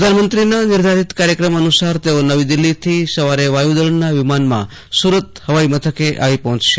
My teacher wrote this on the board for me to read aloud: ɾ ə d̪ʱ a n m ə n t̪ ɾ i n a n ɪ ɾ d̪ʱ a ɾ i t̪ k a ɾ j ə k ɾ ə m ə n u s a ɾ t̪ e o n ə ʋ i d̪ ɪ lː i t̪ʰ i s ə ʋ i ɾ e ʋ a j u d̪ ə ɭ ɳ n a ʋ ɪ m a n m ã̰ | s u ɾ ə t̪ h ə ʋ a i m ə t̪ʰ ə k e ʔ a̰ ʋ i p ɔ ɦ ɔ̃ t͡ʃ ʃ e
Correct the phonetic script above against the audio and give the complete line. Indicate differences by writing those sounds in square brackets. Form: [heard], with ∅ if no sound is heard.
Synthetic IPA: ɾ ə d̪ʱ a n m ə n t̪ ɾ i n a n ɪ ɾ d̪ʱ a ɾ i t̪ k a ɾ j ə k ɾ ə m ə n u s a ɾ t̪ e o n ə ʋ i d̪ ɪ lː i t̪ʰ i s ə ʋ [a] ɾ e ʋ a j u d̪ ə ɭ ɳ n a ʋ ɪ m a n m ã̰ | s u ɾ ə t̪ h ə ʋ a i m ə t̪ʰ ə k e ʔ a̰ ʋ i p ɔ ɦ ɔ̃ t͡ʃ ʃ e